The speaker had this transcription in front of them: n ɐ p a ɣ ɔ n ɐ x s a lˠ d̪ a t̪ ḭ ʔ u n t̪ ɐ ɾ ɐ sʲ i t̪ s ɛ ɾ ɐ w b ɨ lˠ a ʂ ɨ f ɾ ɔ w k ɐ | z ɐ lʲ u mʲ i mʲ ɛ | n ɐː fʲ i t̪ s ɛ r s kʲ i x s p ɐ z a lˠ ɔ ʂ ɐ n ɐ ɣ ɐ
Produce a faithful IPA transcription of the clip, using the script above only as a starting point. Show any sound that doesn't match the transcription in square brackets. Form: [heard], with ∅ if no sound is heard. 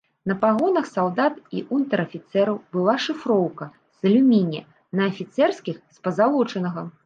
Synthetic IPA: n ɐ p a ɣ ɔ n ɐ x s a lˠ d̪ a t̪ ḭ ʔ u n t̪ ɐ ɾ ɐ [fʲ] i t̪ s ɛ ɾ ɐ w b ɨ lˠ a ʂ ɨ f ɾ ɔ w k ɐ | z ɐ lʲ u mʲ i [nʲ] ɛ | n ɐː fʲ i t̪ s ɛ r s kʲ i x s p ɐ z a lˠ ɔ [t͡ʂ] ɐ n ɐ ɣ ɐ